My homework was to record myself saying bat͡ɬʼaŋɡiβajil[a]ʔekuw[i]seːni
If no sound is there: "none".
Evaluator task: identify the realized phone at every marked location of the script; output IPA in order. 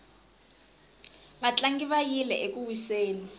ɛ, i

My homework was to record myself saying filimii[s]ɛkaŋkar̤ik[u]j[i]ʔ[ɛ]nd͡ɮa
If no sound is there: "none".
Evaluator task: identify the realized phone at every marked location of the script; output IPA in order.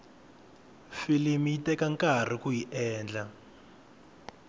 t, u, i, ɛː

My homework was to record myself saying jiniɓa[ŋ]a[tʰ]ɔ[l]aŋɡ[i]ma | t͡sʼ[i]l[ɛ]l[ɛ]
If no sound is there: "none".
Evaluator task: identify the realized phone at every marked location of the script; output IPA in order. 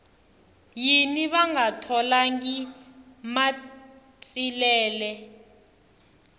ŋ, tʰ, l, i, i, ɛː, ɛ

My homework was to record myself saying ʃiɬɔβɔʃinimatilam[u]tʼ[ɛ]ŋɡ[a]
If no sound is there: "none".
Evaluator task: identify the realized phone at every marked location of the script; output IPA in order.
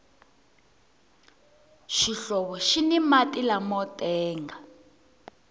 ɔ, ɛː, a

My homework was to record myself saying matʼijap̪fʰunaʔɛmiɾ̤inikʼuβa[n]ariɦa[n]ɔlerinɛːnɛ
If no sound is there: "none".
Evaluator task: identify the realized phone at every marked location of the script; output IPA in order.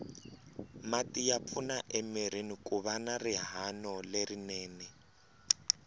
n, n

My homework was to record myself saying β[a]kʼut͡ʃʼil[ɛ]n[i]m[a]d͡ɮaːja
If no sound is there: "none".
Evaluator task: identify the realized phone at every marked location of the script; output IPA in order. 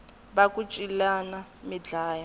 a, a, a, i

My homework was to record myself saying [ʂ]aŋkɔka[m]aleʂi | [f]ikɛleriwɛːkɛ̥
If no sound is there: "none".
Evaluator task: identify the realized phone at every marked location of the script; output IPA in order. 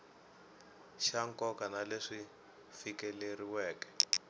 ʃ, n, f

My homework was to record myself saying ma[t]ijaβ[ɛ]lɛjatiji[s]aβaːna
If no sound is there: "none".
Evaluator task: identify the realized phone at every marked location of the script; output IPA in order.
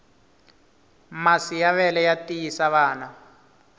s, ɛ, s

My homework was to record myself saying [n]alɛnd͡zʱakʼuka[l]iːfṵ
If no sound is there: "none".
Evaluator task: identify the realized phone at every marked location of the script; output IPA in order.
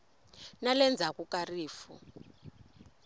n, r

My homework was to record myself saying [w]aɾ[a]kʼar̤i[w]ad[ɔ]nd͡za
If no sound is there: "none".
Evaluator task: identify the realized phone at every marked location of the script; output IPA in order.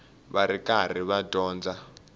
β, i, β, ɔː

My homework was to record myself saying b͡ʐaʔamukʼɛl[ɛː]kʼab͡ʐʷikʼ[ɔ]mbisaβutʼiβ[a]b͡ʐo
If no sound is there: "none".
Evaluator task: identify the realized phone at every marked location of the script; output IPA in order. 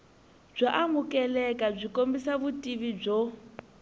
ɛ, o, i

